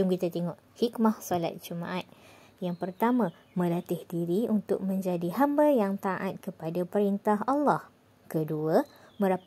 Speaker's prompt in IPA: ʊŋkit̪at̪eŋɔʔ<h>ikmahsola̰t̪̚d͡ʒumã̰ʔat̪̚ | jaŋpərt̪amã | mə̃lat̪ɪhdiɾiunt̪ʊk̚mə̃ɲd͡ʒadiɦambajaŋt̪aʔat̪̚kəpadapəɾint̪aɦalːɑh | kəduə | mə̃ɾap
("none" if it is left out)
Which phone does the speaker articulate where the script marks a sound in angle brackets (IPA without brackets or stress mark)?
h